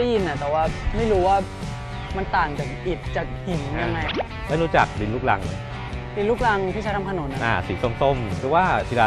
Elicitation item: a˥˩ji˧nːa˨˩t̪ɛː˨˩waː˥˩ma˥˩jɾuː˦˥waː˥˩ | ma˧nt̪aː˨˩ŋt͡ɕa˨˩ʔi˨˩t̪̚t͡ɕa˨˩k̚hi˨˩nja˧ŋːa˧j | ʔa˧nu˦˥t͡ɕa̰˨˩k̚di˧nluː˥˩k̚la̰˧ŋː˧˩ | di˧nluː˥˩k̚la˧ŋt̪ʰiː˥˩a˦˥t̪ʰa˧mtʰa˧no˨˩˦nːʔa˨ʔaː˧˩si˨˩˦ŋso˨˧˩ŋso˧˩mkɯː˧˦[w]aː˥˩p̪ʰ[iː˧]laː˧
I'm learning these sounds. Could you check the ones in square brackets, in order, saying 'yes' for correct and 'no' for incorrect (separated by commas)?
yes, no